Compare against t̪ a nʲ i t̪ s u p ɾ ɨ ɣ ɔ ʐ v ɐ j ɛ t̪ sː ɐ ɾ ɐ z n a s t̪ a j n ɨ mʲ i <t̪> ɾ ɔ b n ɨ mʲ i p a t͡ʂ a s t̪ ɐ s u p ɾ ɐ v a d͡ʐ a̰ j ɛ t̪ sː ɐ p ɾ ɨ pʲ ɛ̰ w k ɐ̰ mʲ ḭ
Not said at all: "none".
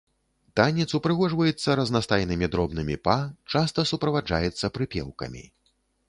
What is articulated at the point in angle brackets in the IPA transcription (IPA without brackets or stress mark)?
d̪